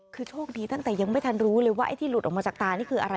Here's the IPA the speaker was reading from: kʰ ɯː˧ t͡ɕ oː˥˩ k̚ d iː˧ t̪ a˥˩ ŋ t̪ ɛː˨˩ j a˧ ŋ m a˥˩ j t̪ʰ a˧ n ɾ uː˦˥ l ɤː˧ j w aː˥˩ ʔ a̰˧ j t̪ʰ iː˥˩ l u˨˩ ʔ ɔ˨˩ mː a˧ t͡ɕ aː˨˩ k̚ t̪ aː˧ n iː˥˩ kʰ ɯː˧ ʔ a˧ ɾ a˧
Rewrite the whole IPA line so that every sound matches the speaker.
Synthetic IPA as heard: kʰ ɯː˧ t͡ɕʰ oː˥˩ k̚ d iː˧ t̪ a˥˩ ŋ t̪ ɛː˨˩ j a˧ ŋ m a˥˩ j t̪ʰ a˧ n ɾ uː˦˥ l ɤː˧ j w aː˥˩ ʔ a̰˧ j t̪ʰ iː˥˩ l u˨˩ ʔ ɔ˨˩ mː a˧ t͡ɕ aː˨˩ k̚ t̪ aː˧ n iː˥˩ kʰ ɯː˧ ʔ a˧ ɾ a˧